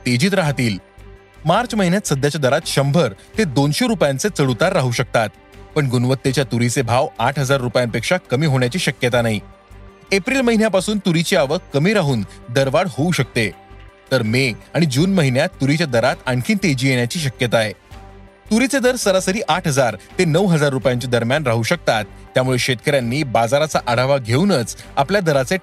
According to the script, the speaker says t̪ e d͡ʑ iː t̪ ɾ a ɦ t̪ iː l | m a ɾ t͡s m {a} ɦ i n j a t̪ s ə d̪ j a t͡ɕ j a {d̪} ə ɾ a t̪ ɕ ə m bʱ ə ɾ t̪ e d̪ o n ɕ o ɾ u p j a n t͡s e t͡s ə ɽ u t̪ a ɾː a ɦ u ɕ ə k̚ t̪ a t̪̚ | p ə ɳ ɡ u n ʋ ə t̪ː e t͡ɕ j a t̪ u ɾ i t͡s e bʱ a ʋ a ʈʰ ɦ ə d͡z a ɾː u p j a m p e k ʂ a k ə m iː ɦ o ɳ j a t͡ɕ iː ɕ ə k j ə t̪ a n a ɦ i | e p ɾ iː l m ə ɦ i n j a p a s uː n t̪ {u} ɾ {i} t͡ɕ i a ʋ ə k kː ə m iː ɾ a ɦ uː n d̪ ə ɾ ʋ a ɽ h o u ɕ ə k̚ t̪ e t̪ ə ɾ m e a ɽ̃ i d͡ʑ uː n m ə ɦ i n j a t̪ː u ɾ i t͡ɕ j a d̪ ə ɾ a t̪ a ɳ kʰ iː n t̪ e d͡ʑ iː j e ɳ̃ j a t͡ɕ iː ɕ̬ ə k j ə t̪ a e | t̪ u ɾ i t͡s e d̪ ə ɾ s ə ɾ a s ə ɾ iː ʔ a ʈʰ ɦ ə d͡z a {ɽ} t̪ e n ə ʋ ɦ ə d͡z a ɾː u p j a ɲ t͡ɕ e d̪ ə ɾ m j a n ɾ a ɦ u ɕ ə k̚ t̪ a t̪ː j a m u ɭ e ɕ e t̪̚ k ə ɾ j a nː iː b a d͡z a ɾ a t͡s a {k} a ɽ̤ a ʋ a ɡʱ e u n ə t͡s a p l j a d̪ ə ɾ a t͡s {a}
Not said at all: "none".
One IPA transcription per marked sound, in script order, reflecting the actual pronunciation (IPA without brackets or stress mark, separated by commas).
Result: ə, d̪, u, i, ɾ, ʔ, e